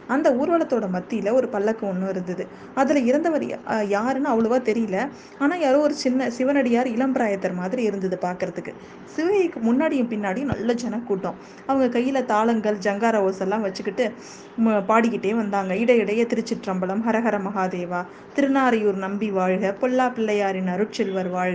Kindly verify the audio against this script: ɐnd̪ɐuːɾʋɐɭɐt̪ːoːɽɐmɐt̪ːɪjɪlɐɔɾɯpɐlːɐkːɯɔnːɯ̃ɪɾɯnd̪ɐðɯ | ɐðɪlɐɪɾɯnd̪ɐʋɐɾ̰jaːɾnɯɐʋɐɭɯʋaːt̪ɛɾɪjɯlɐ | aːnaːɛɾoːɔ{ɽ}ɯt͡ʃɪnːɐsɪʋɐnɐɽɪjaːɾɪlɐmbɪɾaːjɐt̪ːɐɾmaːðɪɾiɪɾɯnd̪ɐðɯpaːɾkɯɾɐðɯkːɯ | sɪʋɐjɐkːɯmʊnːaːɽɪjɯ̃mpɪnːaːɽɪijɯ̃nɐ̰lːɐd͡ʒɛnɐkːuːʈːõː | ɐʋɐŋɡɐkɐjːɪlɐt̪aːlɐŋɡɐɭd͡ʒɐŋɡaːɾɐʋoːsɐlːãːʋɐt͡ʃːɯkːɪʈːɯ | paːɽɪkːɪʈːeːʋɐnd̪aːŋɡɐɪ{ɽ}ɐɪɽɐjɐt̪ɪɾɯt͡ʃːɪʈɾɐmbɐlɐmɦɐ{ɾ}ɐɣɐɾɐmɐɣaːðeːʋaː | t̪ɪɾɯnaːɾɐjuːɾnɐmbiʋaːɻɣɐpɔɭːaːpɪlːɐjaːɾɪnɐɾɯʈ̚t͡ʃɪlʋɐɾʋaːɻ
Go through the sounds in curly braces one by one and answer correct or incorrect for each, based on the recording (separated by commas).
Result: incorrect, correct, correct